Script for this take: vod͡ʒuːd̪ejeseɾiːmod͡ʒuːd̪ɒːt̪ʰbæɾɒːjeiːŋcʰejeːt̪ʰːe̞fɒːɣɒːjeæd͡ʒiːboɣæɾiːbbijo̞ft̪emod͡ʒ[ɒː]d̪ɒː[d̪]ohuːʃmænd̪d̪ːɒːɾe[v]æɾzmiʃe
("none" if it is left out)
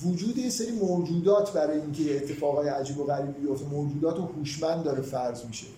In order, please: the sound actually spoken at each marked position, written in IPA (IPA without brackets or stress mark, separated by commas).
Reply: uː, t̪, f